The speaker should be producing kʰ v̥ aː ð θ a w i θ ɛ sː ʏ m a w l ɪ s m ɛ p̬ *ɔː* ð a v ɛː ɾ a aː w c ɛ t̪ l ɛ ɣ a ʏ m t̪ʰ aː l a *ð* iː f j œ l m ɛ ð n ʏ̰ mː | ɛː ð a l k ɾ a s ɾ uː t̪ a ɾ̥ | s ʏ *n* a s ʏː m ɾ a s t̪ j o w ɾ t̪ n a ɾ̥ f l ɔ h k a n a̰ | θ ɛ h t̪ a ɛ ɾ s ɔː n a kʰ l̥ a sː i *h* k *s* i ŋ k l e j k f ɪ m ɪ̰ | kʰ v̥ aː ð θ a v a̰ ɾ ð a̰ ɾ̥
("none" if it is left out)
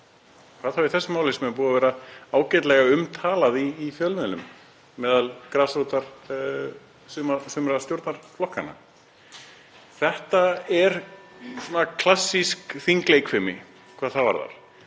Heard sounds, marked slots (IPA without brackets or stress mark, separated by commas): uː, ð, m, s, θ